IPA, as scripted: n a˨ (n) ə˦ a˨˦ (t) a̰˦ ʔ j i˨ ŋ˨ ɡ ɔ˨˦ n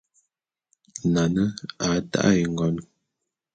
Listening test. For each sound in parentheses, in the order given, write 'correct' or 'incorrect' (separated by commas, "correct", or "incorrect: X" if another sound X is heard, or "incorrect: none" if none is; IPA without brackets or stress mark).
correct, correct